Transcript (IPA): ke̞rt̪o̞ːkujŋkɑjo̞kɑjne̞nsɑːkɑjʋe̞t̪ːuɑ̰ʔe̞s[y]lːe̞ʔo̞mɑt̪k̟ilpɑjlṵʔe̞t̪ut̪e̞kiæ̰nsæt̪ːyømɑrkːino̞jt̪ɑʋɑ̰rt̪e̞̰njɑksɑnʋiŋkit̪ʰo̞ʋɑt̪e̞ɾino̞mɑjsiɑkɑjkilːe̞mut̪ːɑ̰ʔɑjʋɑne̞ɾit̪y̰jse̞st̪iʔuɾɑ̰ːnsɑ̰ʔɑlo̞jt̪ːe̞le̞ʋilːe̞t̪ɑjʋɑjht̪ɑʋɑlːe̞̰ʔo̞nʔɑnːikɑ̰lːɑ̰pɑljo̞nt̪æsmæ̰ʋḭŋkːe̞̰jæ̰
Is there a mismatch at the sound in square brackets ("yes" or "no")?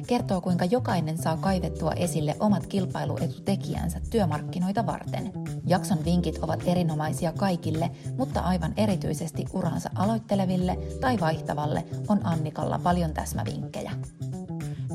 yes